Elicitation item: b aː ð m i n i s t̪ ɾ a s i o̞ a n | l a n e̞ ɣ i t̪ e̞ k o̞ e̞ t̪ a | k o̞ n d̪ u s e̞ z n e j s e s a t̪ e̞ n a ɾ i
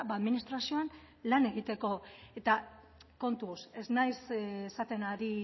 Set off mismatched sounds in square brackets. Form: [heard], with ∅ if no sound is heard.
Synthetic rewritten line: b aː ð m i n i s t̪ ɾ a s i o̞ a n | l a n e̞ ɣ i t̪ e̞ k o̞ e̞ t̪ a | k o̞ n [t̪] u s e̞ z n [a] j s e s a t̪ e̞ n a ɾ i